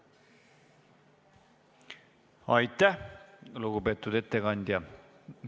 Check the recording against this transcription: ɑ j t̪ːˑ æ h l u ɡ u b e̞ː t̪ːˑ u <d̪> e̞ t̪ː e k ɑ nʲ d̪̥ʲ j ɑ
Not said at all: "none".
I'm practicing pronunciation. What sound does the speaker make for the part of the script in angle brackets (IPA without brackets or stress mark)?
d̪